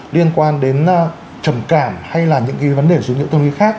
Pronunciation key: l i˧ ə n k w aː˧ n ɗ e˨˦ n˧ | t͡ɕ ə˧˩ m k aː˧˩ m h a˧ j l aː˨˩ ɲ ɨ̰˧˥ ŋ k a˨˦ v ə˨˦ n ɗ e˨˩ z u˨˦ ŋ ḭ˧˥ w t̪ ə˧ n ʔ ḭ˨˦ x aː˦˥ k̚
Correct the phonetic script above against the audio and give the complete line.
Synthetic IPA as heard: l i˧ ə n k w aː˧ n ɗ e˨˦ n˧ | t͡ɕ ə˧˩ m k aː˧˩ m h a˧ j l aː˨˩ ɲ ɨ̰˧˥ ŋ k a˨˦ v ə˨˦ n ɗ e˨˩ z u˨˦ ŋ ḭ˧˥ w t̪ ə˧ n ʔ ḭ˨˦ x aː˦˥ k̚